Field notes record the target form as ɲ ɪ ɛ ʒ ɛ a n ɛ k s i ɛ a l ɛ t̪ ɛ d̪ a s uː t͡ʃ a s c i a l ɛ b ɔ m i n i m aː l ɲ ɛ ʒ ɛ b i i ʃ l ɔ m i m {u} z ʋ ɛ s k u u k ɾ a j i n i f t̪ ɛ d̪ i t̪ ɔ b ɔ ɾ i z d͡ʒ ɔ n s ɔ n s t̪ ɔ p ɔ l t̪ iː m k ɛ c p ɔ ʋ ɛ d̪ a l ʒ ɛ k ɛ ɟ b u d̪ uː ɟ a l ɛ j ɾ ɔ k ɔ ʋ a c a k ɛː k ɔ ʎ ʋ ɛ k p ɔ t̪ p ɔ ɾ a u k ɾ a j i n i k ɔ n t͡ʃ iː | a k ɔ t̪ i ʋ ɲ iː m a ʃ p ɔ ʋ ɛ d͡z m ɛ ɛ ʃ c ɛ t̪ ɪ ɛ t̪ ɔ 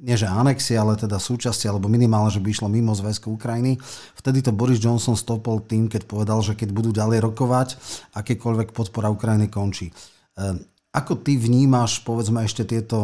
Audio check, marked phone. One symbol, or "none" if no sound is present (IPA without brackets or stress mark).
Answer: ɔ